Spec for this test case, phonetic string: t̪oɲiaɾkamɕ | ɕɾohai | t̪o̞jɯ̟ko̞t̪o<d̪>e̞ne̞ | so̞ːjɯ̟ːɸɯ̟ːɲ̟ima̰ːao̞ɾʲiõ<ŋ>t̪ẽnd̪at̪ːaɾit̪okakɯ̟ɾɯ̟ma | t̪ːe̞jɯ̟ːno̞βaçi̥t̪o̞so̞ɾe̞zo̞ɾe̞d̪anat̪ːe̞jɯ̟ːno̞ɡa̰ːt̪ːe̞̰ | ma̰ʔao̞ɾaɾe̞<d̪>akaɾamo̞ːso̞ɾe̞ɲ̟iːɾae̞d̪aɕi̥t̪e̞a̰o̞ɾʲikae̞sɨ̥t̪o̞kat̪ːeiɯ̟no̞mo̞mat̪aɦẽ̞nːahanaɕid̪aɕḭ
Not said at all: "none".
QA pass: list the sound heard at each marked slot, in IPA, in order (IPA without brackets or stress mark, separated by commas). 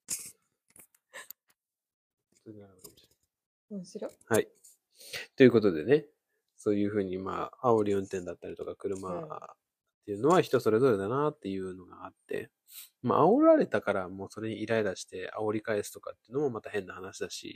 d̪, n, t̪